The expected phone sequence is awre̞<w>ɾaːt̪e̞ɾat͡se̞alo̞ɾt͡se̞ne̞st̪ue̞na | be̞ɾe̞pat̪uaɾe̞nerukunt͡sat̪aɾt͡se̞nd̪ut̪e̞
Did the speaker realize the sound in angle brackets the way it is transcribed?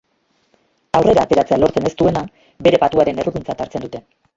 no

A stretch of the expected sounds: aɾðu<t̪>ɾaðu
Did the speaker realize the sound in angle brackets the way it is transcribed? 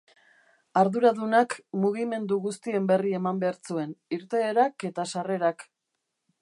no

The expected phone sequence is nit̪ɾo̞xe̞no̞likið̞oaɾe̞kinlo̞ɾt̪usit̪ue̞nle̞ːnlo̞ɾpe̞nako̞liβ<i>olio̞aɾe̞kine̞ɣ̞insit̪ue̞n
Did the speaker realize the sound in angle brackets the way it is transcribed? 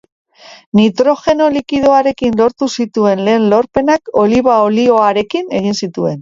no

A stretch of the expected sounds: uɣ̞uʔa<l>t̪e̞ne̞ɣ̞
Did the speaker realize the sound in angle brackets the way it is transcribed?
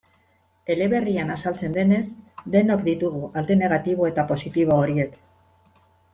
yes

